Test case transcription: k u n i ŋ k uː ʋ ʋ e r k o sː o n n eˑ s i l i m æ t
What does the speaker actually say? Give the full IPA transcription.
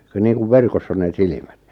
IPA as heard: k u n iː ŋ k u ʋ ʋ e r k o sː o n n eˑ s i l i m æ t